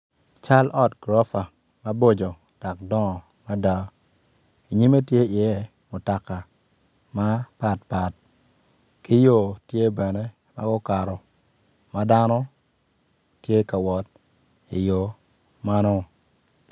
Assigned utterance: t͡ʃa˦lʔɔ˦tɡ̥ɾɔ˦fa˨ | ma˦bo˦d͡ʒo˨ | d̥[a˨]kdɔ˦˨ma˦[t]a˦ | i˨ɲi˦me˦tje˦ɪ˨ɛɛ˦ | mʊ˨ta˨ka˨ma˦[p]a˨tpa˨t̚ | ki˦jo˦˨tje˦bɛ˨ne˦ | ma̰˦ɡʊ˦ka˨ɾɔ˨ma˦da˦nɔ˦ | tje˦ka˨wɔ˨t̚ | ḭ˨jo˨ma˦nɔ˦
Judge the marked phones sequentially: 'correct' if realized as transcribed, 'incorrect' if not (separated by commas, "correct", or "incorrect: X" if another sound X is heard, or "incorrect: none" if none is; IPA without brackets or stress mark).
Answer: correct, incorrect: d, correct